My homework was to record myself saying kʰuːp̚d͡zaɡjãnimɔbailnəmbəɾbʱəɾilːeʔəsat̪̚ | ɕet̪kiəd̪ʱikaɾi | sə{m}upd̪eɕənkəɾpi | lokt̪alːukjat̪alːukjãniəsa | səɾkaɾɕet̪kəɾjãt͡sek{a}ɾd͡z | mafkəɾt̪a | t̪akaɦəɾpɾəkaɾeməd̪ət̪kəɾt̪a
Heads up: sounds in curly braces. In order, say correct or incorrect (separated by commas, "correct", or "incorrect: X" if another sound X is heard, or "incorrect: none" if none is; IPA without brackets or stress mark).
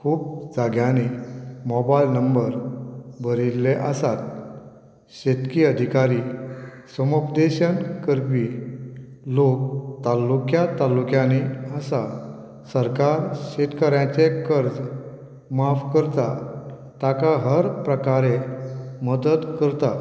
correct, incorrect: ə